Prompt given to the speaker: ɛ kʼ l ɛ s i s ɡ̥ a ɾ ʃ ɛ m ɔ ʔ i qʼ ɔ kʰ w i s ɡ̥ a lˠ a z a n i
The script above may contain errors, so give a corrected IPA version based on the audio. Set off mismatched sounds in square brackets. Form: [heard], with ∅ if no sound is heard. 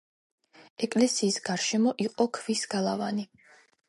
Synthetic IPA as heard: ɛ kʼ l ɛ s [iː] s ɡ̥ a ɾ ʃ ɛ m ɔ ʔ i qʼ ɔ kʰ [v] i s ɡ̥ a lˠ a [v] a n i

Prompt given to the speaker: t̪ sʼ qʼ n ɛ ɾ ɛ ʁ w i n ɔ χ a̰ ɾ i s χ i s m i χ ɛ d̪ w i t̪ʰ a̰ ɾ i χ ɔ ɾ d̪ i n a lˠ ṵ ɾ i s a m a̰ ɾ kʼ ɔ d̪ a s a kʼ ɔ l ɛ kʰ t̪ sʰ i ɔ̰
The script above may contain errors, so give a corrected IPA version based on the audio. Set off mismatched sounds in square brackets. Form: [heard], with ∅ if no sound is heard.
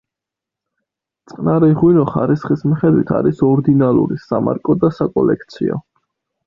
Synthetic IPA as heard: t̪ sʼ qʼ n [a] ɾ ɛ ʁ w i n ɔ χ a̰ ɾ i s χ i s m i χ ɛ d̪ w i t̪ʰ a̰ ɾ i [s] ɔ ɾ d̪ i n a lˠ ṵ ɾ i s a m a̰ ɾ kʼ ɔ d̪ a s a kʼ ɔ l ɛ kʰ t̪ sʰ i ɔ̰

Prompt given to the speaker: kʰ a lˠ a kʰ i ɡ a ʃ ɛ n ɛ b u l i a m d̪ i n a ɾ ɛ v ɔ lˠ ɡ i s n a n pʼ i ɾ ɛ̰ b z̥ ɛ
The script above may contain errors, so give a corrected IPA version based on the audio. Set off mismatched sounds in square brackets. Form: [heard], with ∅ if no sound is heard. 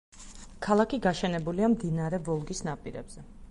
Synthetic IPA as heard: kʰ a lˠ a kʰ i ɡ a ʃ ɛ n ɛ b u l i a m d̪ i n a ɾ ɛ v ɔ lˠ ɡ i s n a [∅] pʼ i ɾ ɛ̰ b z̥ ɛ

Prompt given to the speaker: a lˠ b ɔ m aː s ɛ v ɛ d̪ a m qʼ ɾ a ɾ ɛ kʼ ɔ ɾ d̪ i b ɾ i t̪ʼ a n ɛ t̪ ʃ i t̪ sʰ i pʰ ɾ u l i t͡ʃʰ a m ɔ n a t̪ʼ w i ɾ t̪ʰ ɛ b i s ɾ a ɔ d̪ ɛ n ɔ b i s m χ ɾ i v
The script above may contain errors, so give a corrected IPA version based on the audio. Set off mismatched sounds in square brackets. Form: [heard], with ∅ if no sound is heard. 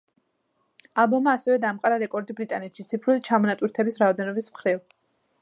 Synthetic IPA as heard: a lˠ b ɔ m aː s ɛ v ɛ d̪ a m qʼ ɾ a ɾ ɛ kʼ ɔ ɾ d̪ i b ɾ i t̪ʼ a n ɛ t̪ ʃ i t̪ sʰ i pʰ ɾ u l i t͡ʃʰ a m ɔ n a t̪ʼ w i ɾ t̪ʰ ɛ b i s ɾ a ɔ d̪ ɛ n ɔ b i s m χ ɾ i v

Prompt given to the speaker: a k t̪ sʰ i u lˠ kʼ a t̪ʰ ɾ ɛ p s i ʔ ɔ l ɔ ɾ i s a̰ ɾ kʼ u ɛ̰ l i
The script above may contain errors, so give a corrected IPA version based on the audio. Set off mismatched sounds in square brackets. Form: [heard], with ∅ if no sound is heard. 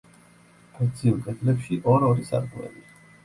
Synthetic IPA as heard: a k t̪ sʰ i u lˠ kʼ [ɛ] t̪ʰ [l] ɛ p [ʃ] i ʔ ɔ [ɾ] ɔ ɾ i s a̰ ɾ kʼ u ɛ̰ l i

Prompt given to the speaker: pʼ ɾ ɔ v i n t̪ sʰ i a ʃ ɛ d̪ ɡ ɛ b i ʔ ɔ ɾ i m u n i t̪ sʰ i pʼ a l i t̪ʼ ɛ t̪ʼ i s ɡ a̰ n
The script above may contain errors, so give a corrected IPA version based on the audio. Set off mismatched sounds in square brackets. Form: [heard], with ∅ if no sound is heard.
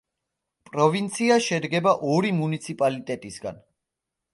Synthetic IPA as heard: pʼ ɾ ɔ v i n t̪ sʰ i a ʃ ɛ d̪ ɡ ɛ b [a] ʔ ɔ ɾ i m u n i t̪ sʰ i pʼ a l i t̪ʼ ɛ t̪ʼ i s ɡ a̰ n

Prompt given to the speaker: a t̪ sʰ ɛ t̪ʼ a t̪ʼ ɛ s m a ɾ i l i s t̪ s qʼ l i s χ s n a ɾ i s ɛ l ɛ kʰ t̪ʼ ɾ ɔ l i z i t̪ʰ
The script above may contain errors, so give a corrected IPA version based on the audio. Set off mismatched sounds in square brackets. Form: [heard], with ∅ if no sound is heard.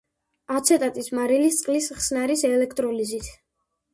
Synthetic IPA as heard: a t̪ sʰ ɛ t̪ʼ a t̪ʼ [i] s m a ɾ i l i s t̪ s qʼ l i s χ s n a ɾ i s ɛ l ɛ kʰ t̪ʼ ɾ ɔ l i z i t̪ʰ

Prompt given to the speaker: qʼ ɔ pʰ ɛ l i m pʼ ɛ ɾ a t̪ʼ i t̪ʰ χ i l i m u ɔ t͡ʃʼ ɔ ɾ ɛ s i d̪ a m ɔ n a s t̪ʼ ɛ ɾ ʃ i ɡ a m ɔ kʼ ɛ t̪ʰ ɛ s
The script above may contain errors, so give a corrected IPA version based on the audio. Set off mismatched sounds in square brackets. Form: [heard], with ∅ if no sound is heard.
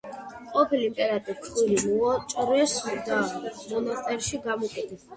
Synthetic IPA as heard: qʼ ɔ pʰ [i] l i m pʼ ɛ ɾ a t̪ʼ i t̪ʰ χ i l i m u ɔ t͡ʃʼ ɔ ɾ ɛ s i d̪ a m ɔ n a s t̪ʼ ɛ ɾ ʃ i ɡ a m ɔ kʼ ɛ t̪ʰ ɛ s

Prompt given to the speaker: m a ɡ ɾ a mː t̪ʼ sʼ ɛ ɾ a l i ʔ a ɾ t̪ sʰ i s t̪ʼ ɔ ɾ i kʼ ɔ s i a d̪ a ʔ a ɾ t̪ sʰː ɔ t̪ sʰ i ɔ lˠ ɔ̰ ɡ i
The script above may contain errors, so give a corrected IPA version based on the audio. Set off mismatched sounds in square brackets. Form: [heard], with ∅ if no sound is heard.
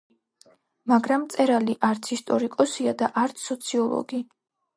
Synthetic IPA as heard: m a ɡ ɾ a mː [t̪] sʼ ɛ ɾ a l i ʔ a ɾ t̪ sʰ i s t̪ʼ ɔ ɾ i kʼ ɔ s i a d̪ a ʔ a ɾ t̪ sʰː ɔ t̪ sʰ i ɔ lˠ ɔ̰ ɡ i

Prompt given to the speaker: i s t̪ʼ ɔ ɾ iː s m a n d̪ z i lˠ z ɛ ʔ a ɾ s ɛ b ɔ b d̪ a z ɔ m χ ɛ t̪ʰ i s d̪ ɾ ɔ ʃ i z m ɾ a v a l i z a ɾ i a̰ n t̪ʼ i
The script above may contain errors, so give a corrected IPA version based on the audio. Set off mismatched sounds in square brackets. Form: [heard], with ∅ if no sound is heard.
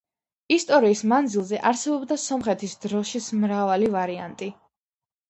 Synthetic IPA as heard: i s t̪ʼ ɔ ɾ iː s m a n d̪ z i lˠ z ɛ ʔ a ɾ s ɛ b ɔ b d̪ a [s] ɔ m χ ɛ t̪ʰ i s d̪ ɾ ɔ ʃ i [s] m ɾ a v a l i [v] a ɾ i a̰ n t̪ʼ i

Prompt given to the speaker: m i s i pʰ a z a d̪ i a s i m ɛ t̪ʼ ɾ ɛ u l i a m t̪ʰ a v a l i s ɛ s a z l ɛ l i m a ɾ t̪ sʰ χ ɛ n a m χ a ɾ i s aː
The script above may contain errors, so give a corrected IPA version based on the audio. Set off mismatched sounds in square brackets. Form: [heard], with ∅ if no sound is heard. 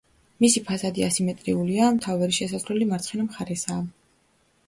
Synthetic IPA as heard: m i s i pʰ a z a d̪ i a s i m ɛ t̪ʼ ɾ [i] u l i a m t̪ʰ a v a [ɾ] i [ʃ] ɛ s a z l ɛ l i m a ɾ t̪ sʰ χ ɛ n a m χ a ɾ [ɛ] s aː

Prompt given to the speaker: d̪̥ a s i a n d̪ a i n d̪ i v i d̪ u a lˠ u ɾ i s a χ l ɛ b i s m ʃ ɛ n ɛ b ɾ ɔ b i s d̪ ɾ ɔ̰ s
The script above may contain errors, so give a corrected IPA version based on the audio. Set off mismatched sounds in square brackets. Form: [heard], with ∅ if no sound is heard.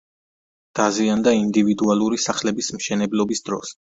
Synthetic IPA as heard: d̪̥ a [z] i a n d̪ a i n d̪ i v i d̪ u a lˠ u ɾ i s a χ l ɛ b i s m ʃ ɛ n ɛ b [l] ɔ b i s d̪ ɾ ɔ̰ s

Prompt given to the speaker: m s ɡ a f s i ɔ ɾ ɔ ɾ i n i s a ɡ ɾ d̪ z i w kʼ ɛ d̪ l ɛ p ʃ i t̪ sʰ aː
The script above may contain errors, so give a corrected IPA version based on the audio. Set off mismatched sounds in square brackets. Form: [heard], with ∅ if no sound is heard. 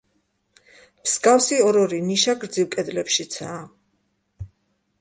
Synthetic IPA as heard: m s ɡ a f s i ɔ ɾ ɔ ɾ i n i [ʃ] a ɡ ɾ d̪ z i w kʼ ɛ d̪ l ɛ p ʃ i t̪ sʰ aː

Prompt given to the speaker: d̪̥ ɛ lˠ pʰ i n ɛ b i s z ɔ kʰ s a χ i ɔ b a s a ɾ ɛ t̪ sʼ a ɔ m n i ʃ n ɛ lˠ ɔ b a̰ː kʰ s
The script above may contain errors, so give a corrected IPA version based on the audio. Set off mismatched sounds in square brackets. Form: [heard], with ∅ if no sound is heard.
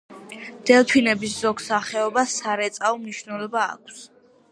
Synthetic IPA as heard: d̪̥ ɛ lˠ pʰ i n ɛ b i s z ɔ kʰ s a χ [ɛ] ɔ b a s a ɾ ɛ t̪ sʼ a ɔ m n i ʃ n ɛ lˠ ɔ b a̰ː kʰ s

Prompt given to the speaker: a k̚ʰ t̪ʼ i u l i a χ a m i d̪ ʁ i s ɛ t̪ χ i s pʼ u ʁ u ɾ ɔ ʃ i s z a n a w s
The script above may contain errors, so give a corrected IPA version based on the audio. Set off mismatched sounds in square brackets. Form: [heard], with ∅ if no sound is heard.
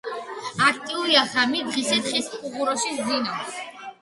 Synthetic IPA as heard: a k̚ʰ t̪ʼ i u [ɾ] i a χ a m i d̪ ʁ i s ɛ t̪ χ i s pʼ u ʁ u ɾ ɔ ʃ i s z [i] n a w s

